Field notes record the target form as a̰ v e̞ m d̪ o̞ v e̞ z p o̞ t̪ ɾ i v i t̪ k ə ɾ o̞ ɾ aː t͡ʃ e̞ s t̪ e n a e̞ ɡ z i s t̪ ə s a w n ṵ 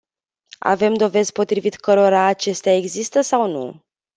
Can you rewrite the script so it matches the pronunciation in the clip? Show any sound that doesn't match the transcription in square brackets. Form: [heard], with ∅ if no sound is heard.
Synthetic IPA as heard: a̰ v e̞ m d̪ o̞ v e̞ z p o̞ t̪ ɾ i v i t̪ k ə ɾ o̞ ɾ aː t͡ʃ e̞ s t̪ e [∅] a e̞ ɡ z i s t̪ ə s a w n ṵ